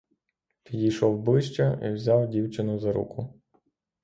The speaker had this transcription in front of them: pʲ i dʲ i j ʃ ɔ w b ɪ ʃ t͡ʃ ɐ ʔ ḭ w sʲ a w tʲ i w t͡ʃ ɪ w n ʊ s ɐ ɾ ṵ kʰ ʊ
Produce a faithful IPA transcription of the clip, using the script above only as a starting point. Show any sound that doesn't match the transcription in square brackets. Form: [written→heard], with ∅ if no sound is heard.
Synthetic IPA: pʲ i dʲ i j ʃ ɔ w b ɪ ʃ t͡ʃ ɐ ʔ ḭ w [sʲ→zʲ] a w [tʲ→dʲ] i w t͡ʃ ɪ [w→∅] n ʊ [s→z] ɐ ɾ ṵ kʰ ʊ